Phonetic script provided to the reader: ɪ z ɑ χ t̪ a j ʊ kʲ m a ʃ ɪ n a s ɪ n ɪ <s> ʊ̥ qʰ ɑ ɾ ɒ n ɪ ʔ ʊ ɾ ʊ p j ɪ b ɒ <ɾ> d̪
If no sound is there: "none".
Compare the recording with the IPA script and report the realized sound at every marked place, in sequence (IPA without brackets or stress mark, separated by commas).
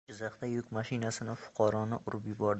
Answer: f, ɾ